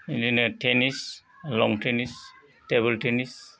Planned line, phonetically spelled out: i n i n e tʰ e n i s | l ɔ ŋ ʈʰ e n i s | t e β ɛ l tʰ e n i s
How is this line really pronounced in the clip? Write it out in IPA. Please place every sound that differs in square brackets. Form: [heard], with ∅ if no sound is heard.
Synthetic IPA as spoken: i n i n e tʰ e n i s | l ɔ ŋ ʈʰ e n i s | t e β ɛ l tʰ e n i s